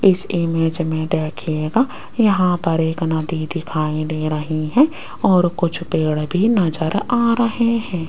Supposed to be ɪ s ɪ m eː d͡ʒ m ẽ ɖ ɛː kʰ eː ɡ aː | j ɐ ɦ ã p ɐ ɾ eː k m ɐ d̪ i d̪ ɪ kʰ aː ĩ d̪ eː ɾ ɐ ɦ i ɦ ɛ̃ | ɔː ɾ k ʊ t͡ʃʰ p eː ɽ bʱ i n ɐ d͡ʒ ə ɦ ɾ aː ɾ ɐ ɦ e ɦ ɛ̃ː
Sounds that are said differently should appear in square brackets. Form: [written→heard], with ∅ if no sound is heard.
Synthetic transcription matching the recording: ɪ s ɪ m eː d͡ʒ m ẽ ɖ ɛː kʰ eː ɡ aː | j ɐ ɦ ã p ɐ ɾ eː k [m→n] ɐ d̪ i d̪ ɪ kʰ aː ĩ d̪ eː ɾ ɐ ɦ i ɦ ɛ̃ | ɔː ɾ k ʊ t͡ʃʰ p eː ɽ bʱ i n ɐ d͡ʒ ə [ɦ→∅] ɾ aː ɾ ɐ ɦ e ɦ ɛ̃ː